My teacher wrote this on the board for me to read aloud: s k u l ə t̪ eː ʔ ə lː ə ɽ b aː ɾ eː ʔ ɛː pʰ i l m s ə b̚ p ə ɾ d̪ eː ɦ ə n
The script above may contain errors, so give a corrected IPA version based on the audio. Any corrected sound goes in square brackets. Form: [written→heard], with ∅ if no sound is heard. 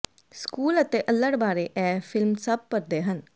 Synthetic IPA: s k [u→uː] l ə t̪ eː ʔ ə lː ə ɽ b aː ɾ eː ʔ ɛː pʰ [i→ɪ] l m s ə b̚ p ə ɾ d̪ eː ɦ ə n

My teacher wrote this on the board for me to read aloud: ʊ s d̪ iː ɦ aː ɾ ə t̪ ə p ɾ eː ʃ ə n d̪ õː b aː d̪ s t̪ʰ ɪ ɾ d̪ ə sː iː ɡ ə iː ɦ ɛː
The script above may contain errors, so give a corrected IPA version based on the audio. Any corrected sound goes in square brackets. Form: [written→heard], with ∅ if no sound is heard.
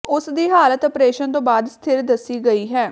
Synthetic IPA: ʊ s d̪ iː ɦ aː [ɾ→l] ə t̪ ə p ɾ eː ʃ ə n [d̪→t̪] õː b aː d̪ s t̪ʰ ɪ ɾ d̪ ə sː iː ɡ ə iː ɦ ɛː

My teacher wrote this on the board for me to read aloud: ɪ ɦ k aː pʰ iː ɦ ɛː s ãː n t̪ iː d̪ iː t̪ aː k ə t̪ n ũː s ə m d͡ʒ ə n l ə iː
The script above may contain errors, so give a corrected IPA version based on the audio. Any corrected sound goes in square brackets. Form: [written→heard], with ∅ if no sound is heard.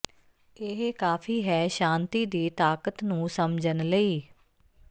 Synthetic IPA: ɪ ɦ k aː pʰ iː ɦ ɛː [s→ʃ] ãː n t̪ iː d̪ iː t̪ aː k ə t̪ n ũː s ə m d͡ʒ ə n l ə iː

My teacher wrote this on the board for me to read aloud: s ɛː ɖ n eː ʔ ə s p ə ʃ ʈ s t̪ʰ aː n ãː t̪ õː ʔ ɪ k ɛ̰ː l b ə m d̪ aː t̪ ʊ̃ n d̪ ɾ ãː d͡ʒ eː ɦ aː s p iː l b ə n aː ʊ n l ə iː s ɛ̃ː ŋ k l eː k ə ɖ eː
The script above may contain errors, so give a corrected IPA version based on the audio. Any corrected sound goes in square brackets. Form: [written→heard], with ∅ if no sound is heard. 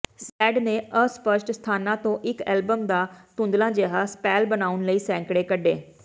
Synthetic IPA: s ɛː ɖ n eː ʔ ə s p ə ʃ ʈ s t̪ʰ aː n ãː t̪ õː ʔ ɪ k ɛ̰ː l b ə m d̪ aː t̪ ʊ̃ n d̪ [ɾ→l] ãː d͡ʒ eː ɦ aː s p [iː→ɛː] l b ə n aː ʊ n l ə iː s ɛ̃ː ŋ k [l→ɽ] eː k ə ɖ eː

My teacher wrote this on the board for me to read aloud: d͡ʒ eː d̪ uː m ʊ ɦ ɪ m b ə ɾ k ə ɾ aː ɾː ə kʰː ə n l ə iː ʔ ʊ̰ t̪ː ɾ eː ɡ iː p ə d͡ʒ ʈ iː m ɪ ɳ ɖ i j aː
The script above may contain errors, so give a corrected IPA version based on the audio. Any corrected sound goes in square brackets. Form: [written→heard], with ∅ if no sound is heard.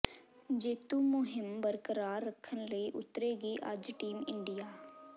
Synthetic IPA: d͡ʒ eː [d̪→t̪] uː m ʊ ɦ ɪ m b ə ɾ k ə ɾ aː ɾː ə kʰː ə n l ə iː ʔ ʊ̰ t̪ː ɾ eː ɡ iː [p→ʔ] ə d͡ʒ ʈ iː m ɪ ɳ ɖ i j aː

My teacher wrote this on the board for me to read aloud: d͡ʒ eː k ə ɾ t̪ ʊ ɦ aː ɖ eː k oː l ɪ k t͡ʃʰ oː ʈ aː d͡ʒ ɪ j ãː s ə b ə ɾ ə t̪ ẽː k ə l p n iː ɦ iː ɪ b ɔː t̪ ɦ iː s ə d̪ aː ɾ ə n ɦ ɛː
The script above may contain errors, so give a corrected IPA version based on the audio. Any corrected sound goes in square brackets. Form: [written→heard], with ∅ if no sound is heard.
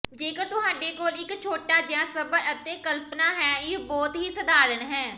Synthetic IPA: d͡ʒ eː k ə ɾ t̪ ʊ ɦ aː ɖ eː k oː l ɪ k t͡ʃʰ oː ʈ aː d͡ʒ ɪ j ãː s ə b ə ɾ ə t̪ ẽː k ə l p n [iː→aː] ɦ [iː→ɛː] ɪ b ɔː t̪ ɦ iː s ə d̪ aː ɾ ə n ɦ ɛː

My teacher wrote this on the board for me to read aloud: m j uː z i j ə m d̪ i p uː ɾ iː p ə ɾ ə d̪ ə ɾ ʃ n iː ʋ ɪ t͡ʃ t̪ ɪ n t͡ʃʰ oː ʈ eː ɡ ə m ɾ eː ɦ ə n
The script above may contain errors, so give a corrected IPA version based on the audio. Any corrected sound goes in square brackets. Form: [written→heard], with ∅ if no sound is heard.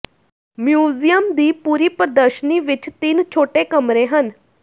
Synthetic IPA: m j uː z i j ə m d̪ [i→iː] p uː ɾ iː p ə ɾ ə d̪ ə ɾ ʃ n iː ʋ ɪ t͡ʃ t̪ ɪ n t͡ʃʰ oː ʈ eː [ɡ→k] ə m ɾ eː ɦ ə n

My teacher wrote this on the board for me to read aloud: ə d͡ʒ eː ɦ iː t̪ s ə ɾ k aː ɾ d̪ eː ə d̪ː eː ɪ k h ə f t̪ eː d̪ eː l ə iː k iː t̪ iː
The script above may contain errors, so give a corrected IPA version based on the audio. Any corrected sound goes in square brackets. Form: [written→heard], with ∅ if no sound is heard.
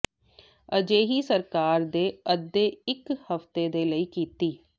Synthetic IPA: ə d͡ʒ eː ɦ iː [t̪→∅] s ə ɾ k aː ɾ d̪ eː ə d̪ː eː ɪ k h ə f t̪ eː d̪ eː l ə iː k iː t̪ iː

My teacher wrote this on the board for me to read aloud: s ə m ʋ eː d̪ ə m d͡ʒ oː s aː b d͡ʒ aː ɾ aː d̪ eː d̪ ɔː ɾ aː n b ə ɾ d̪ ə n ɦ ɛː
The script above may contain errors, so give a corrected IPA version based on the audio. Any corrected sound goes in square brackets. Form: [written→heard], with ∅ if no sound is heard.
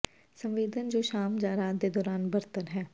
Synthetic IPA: s ə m ʋ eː d̪ ə [m→n] d͡ʒ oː [s→ʃ] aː [b→m] d͡ʒ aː ɾ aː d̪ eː d̪ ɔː ɾ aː n b ə ɾ [d̪→t̪] ə n ɦ ɛː

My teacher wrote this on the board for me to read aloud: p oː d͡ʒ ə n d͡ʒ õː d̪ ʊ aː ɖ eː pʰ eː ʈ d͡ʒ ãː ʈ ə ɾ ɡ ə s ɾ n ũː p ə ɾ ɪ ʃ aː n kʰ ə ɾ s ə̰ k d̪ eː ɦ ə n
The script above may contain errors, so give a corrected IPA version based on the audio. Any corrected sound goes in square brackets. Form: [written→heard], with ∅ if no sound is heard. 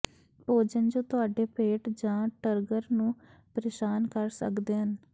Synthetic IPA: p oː d͡ʒ ə n d͡ʒ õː [d̪→t̪] ʊ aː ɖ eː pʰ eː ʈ d͡ʒ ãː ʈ ə ɾ ɡ ə [s→∅] ɾ n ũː p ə ɾ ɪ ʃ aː n [kʰ→k] ə ɾ s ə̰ k d̪ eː ɦ ə n

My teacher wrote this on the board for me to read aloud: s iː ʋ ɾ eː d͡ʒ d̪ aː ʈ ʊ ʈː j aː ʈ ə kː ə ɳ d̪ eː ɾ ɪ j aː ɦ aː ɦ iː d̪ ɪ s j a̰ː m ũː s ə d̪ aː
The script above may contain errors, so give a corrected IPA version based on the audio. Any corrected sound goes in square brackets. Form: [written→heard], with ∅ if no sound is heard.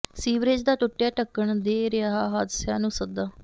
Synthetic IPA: s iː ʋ ɾ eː d͡ʒ d̪ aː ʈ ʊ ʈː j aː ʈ ə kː ə ɳ d̪ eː ɾ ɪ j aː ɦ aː ɦ [iː→aː] d̪ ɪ s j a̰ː [m→n] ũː s ə d̪ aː

